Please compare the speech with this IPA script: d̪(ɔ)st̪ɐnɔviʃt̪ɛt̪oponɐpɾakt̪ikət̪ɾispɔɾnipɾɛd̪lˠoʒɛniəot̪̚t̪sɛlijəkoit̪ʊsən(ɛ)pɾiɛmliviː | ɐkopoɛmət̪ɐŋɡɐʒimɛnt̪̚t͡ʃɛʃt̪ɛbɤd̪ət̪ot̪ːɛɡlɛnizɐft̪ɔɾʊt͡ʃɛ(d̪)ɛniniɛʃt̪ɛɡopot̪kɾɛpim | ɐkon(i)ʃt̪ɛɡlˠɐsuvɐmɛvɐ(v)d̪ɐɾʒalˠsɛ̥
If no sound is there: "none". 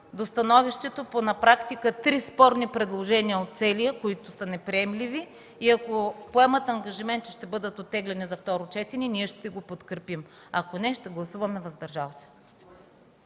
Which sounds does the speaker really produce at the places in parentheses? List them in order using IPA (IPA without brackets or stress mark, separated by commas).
o, ɛ, t̪, ɛ, z